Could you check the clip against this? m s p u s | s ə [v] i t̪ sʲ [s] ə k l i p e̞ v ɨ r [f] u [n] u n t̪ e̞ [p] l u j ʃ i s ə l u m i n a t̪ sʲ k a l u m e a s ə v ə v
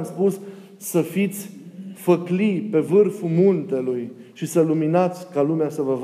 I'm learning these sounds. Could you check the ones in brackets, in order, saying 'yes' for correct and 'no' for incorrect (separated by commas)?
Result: no, no, yes, no, no